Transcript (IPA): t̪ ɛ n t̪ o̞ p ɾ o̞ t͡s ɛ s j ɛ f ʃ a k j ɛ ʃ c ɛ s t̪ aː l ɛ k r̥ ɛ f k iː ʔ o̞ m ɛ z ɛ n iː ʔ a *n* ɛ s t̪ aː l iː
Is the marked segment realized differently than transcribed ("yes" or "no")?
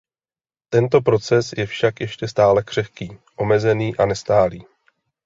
no